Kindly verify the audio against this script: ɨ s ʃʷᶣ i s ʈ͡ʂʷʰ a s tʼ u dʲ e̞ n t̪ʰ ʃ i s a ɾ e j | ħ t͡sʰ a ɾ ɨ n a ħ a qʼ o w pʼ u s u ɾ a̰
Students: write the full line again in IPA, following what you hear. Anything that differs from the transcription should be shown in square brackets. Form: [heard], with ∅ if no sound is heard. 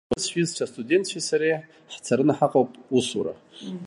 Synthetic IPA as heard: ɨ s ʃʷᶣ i [z] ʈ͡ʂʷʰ a s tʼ u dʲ e̞ n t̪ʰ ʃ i s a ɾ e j | ħ t͡sʰ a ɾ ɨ n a ħ a qʼ o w pʼ u s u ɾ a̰